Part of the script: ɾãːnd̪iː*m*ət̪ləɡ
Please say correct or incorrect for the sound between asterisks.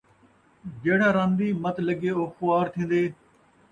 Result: correct